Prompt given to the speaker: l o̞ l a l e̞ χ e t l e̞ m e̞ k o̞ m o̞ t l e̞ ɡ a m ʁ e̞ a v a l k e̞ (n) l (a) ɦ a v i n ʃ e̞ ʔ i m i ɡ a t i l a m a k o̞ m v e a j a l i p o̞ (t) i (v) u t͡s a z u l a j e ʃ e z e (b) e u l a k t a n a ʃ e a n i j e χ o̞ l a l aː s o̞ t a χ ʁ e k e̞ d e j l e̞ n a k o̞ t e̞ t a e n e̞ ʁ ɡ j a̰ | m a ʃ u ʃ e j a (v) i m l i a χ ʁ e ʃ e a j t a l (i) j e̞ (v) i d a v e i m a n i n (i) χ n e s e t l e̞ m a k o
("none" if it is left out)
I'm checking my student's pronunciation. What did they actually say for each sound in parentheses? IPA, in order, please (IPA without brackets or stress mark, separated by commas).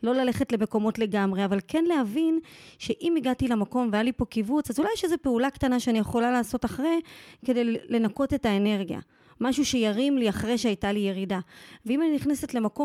n, e, k, v, p, ʁ, i, ʁ, i